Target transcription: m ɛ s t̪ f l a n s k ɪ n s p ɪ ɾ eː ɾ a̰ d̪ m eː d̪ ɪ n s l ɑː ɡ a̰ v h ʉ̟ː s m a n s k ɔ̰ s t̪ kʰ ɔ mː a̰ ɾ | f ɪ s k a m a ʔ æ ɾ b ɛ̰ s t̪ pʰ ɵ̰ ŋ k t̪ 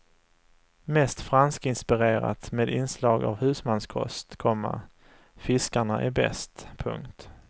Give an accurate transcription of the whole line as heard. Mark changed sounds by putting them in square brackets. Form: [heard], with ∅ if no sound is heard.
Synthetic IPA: m ɛ s t̪ f [ɾ] a n s k ɪ n s p ɪ ɾ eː ɾ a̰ [t̪] m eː d̪ ɪ n s l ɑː ɡ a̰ v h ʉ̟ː s m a n s [kʰ] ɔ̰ s t̪ kʰ ɔ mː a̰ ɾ | f ɪ s k a [ɳ] a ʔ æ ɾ b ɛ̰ s t̪ pʰ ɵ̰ ŋ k t̪

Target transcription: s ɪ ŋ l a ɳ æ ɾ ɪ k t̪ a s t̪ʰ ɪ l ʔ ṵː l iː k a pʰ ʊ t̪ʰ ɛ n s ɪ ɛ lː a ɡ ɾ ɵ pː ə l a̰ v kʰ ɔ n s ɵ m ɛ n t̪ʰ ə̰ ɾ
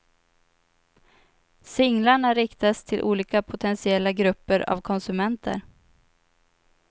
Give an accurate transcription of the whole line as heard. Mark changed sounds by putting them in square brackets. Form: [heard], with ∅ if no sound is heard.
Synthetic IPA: s ɪ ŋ l a ɳ [a] ɾ ɪ k t̪ a s t̪ʰ ɪ l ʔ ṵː l iː k a pʰ ʊ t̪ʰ ɛ n s ɪ ɛ lː a ɡ ɾ ɵ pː ə [ɾ] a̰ v kʰ ɔ n s ɵ m ɛ n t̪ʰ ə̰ ɾ

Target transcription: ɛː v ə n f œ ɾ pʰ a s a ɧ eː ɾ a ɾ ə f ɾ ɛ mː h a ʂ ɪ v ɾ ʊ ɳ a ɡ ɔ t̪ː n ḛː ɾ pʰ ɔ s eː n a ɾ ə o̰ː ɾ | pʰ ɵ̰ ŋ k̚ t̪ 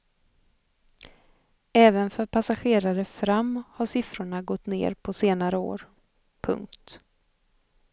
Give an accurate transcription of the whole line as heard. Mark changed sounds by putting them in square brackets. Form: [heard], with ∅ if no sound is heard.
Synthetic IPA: ɛː v ə n f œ ɾ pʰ a s a ɧ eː ɾ a ɾ ə f ɾ [a] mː h a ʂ ɪ [f] ɾ ʊ ɳ a ɡ ɔ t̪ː n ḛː ɾ pʰ ɔ s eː n a ɾ ə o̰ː ɾ | pʰ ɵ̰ ŋ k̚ t̪

